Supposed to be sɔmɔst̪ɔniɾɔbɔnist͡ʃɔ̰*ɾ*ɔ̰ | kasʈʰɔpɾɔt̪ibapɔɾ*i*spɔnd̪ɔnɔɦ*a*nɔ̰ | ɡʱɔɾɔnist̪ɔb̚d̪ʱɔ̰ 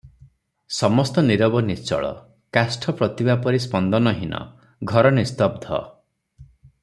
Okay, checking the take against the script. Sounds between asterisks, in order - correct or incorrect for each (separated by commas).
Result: incorrect, correct, incorrect